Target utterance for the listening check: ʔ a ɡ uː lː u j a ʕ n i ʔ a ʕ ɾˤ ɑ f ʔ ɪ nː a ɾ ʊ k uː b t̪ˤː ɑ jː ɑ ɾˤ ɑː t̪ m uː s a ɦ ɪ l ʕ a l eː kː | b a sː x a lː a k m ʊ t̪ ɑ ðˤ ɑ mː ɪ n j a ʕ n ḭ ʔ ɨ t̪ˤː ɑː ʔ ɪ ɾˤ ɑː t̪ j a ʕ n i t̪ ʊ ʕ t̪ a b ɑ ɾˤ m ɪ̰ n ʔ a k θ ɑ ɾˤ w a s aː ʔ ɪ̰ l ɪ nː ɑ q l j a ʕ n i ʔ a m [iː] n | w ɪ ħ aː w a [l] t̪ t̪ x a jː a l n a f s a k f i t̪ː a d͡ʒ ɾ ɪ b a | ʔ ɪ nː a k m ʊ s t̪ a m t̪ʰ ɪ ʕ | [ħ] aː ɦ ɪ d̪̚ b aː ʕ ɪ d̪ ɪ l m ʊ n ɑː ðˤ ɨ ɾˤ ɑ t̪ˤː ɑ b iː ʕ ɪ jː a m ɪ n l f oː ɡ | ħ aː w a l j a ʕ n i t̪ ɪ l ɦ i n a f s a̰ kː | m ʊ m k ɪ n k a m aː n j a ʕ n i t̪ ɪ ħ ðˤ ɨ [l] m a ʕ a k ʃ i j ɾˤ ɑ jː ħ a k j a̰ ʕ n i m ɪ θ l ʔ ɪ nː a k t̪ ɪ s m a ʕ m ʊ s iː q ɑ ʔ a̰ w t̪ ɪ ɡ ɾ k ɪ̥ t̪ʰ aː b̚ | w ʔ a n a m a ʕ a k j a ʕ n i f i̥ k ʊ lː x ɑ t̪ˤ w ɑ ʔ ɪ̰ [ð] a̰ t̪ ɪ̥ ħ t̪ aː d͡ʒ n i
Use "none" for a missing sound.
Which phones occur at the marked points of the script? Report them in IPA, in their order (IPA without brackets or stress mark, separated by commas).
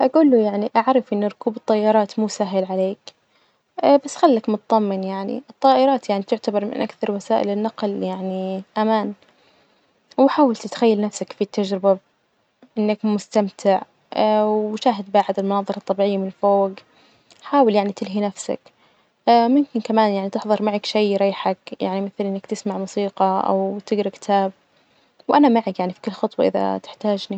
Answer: aː, l, ʃ, ɾ, ð